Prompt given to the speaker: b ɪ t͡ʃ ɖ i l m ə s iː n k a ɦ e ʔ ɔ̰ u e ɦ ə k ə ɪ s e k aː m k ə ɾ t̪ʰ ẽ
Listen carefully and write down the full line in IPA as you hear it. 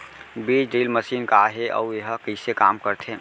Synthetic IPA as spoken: b i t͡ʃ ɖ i l m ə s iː n k a ɦ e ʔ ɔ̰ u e ɦ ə k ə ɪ s e k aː m k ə ɾ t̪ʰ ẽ